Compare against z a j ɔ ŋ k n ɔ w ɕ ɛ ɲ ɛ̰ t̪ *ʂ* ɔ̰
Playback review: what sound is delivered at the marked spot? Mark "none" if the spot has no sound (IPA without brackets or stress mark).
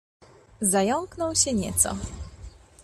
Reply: s